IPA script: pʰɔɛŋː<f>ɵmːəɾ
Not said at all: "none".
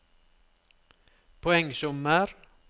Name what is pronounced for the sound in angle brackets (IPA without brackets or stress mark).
s